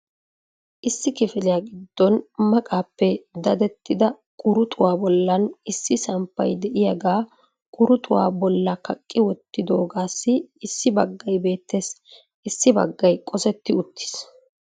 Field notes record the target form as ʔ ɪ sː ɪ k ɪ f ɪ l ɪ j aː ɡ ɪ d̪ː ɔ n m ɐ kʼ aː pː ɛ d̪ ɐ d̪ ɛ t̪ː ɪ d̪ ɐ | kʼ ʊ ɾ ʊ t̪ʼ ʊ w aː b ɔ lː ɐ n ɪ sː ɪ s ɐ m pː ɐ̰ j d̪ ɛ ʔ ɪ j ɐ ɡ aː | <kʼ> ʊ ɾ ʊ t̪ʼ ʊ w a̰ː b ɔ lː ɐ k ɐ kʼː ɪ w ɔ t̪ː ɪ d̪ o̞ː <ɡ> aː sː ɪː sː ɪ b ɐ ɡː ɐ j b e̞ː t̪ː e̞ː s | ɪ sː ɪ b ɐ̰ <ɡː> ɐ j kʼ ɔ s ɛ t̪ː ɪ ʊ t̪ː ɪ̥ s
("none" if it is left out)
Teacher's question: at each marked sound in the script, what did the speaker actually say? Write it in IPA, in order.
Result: kʼ, ɡ, ɡː

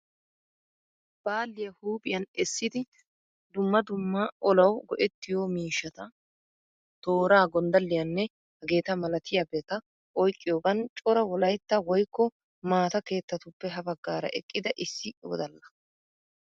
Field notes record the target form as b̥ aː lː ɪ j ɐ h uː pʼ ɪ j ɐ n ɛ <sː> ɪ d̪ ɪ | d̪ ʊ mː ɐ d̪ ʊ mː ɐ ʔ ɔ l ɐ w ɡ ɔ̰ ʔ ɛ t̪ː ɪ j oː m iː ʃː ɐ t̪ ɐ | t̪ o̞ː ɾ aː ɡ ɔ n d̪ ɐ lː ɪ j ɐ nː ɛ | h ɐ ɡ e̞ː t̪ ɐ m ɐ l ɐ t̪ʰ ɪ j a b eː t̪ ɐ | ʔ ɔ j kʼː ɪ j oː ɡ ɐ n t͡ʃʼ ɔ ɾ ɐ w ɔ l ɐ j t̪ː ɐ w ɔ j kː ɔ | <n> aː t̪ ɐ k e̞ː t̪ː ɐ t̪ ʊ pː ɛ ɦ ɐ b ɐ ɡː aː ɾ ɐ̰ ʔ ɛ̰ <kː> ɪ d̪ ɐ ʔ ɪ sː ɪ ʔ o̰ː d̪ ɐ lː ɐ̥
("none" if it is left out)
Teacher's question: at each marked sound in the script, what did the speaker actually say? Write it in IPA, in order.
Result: sː, m, kʼː

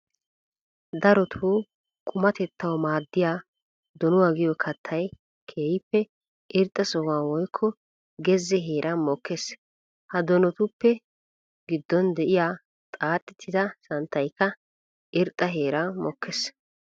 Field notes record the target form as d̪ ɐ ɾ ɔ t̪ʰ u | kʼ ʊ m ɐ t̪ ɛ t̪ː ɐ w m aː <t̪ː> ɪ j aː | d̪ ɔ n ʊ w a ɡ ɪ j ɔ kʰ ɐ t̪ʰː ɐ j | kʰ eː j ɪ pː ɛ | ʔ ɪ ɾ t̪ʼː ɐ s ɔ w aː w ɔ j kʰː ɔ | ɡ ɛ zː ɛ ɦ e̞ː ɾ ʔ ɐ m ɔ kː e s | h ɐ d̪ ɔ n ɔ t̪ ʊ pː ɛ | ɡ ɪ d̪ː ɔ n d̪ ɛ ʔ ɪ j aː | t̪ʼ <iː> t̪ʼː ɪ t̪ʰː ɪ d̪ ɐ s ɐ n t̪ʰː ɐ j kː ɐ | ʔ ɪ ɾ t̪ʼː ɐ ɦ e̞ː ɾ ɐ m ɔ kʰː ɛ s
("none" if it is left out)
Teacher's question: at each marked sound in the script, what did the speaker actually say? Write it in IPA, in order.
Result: d̪ː, aː

